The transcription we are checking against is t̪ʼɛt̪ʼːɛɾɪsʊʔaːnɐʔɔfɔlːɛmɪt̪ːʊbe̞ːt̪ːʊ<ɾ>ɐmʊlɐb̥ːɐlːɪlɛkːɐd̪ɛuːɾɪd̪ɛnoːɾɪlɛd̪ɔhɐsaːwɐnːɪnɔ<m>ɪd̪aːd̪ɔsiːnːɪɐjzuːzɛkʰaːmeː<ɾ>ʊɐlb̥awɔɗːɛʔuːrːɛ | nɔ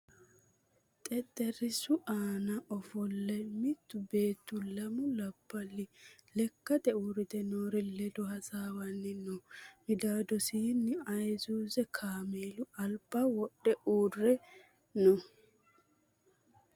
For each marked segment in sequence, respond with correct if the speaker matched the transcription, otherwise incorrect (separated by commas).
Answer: incorrect, correct, incorrect